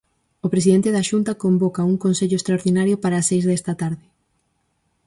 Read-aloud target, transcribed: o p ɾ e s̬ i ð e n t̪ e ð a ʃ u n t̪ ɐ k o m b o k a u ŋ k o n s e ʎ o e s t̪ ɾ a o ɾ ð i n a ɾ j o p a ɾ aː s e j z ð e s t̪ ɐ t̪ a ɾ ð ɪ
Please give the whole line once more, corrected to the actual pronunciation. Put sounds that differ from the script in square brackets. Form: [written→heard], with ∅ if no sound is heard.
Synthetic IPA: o p ɾ e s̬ i ð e n t̪ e ð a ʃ u n t̪ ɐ k o m b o k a u ŋ k o n s e ʎ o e s t̪ ɾ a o ɾ ð i n a ɾ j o p a ɾ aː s e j z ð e s t̪ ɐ t̪ a ɾ ð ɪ